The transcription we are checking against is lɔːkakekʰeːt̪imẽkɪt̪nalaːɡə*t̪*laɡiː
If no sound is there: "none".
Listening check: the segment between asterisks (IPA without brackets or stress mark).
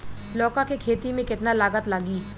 t̪